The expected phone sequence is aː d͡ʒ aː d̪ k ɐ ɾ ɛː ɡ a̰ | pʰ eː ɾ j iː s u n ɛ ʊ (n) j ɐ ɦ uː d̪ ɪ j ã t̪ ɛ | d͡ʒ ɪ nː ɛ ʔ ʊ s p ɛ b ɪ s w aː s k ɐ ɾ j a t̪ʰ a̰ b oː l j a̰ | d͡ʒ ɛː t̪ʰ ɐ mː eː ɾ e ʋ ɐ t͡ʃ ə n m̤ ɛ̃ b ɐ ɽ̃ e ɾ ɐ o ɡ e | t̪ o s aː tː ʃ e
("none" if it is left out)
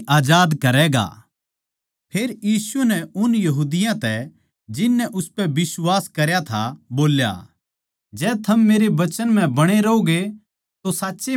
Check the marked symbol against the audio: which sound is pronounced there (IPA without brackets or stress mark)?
n